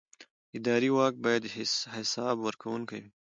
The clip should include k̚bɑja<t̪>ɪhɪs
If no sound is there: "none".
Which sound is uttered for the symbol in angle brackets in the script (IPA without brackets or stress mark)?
d̪